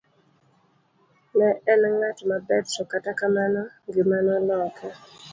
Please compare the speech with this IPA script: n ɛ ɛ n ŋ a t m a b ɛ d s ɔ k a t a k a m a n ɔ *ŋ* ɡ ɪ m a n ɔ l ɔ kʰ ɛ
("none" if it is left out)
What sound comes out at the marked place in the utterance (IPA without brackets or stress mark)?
ŋ